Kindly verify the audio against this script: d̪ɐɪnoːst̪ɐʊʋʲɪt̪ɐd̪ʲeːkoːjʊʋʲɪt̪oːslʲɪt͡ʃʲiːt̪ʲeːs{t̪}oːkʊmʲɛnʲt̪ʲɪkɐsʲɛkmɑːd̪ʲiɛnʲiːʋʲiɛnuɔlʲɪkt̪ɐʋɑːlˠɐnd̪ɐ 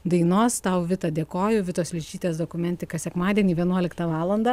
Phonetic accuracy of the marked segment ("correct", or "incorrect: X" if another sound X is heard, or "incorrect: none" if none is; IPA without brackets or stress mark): incorrect: d̪